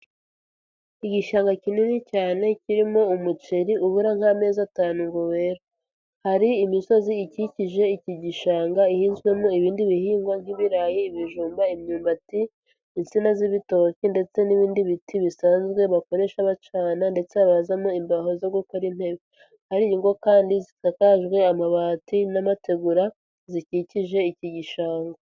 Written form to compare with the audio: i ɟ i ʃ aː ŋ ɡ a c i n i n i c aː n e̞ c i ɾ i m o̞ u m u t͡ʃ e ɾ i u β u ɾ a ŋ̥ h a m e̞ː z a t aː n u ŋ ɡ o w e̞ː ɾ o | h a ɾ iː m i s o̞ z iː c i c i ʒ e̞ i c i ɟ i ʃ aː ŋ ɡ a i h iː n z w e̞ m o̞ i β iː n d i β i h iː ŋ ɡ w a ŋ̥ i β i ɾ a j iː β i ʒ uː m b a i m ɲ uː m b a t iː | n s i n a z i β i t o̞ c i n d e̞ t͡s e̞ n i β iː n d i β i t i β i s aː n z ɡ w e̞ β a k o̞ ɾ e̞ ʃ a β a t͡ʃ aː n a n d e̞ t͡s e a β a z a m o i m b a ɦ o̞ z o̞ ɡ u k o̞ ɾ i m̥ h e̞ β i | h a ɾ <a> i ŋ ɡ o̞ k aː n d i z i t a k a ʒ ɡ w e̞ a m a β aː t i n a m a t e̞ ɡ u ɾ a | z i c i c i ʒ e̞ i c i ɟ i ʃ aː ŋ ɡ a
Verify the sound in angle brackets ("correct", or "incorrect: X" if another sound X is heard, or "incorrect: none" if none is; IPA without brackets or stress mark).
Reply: incorrect: i